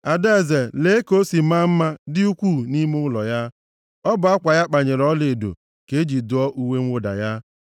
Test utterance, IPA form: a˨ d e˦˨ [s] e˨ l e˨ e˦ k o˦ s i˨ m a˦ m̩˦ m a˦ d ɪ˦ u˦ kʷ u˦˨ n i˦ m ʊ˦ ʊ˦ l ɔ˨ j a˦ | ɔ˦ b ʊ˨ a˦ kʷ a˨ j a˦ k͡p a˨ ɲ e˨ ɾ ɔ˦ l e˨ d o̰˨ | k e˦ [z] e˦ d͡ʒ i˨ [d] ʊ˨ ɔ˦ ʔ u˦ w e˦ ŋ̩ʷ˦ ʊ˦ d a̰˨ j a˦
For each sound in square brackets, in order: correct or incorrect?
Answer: incorrect, incorrect, correct

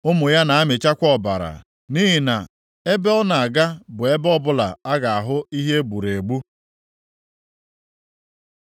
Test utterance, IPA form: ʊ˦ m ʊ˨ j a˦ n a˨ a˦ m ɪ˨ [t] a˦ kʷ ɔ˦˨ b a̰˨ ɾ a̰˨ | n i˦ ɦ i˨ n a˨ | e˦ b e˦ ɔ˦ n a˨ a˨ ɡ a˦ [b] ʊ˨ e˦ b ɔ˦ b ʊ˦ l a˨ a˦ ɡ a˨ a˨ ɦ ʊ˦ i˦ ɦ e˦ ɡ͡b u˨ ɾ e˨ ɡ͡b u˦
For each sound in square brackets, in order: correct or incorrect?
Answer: incorrect, correct

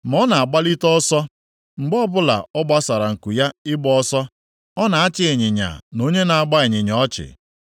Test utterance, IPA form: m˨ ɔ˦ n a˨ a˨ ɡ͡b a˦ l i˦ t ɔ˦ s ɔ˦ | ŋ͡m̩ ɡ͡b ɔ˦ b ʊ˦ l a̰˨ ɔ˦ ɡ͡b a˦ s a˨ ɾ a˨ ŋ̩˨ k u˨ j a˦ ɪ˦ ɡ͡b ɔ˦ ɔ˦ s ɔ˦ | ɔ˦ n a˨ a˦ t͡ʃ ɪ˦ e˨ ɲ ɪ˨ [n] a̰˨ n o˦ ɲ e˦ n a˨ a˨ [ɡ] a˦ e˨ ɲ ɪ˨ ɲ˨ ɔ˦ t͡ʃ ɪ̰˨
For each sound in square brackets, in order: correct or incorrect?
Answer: incorrect, incorrect

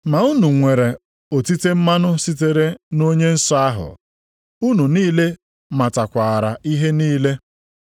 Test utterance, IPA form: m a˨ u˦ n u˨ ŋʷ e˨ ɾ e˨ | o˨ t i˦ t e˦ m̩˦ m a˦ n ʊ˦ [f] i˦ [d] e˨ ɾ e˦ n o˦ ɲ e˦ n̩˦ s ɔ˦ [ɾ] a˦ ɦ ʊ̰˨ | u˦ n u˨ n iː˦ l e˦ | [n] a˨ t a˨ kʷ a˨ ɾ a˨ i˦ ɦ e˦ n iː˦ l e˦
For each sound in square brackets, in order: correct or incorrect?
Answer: incorrect, incorrect, incorrect, incorrect

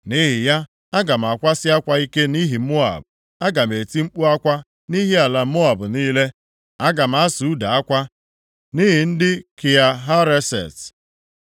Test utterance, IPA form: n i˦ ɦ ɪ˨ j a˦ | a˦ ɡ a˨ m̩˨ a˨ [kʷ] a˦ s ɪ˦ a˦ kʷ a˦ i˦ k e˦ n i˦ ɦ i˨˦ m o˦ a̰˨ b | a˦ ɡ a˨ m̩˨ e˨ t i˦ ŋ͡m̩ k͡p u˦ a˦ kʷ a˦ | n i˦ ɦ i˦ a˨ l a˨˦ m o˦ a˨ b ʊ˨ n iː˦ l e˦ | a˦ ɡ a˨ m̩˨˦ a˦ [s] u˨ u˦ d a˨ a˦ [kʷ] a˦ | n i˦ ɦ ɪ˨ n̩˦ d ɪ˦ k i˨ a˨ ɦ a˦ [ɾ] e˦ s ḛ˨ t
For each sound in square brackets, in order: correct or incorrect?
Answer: correct, correct, correct, correct

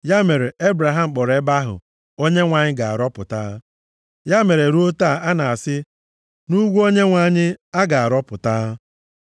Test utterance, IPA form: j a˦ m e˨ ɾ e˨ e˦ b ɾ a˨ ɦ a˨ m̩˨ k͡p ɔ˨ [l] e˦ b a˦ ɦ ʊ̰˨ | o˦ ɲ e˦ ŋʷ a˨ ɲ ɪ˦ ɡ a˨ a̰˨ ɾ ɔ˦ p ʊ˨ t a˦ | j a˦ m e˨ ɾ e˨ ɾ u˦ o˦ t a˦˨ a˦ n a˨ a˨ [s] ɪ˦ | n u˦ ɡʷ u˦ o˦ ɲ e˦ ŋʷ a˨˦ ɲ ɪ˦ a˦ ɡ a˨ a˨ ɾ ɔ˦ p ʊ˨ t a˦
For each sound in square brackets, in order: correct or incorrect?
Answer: incorrect, correct

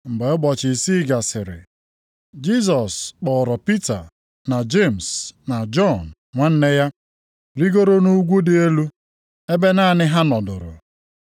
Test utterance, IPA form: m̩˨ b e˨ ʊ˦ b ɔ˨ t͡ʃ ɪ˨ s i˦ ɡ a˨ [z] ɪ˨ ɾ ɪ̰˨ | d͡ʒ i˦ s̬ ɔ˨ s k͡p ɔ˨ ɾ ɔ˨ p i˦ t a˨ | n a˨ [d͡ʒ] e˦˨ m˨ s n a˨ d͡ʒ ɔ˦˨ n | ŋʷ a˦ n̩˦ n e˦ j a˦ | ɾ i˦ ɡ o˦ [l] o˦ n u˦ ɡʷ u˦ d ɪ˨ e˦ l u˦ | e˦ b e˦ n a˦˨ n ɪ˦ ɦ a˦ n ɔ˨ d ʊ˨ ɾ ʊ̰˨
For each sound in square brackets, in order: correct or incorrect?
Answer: incorrect, correct, incorrect

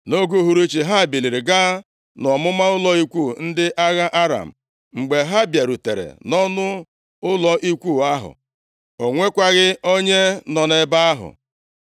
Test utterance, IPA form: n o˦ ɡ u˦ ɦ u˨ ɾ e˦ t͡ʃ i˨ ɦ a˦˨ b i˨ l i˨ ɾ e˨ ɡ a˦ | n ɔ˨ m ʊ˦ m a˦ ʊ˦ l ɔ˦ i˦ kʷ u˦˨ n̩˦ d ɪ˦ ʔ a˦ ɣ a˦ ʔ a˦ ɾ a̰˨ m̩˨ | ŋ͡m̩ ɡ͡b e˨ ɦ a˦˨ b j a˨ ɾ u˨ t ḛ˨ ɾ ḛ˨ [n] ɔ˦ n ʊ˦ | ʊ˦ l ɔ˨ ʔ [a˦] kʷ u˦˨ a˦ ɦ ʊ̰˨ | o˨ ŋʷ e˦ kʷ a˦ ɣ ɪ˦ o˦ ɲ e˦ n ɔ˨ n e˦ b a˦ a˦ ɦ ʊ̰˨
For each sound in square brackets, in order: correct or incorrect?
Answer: correct, incorrect

